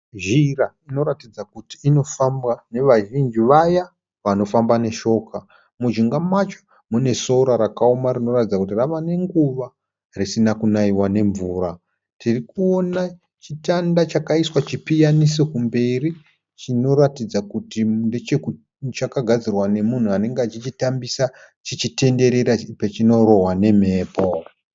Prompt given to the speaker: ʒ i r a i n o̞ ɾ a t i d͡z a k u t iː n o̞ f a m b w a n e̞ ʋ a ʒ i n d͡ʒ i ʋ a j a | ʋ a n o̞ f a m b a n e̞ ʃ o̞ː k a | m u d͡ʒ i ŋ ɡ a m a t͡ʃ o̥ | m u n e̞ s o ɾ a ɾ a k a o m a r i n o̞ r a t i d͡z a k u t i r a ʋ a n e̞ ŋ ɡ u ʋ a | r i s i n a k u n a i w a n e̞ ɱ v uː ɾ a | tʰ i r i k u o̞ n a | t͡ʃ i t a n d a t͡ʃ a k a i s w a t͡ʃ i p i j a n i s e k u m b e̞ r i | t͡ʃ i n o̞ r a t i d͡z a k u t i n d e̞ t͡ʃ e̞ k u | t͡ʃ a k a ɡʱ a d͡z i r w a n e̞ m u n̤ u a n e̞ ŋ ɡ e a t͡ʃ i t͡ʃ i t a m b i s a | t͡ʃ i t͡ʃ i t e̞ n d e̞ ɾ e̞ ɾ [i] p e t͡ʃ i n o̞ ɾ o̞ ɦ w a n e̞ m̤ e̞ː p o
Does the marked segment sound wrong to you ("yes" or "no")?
yes